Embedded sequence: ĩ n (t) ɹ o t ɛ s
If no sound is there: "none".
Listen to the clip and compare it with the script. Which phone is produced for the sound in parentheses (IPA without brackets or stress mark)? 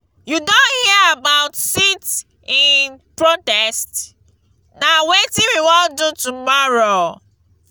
p